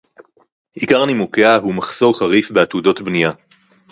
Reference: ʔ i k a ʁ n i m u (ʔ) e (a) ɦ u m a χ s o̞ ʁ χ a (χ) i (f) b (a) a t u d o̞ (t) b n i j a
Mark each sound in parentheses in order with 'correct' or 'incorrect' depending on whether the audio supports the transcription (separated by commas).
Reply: incorrect, correct, incorrect, correct, incorrect, correct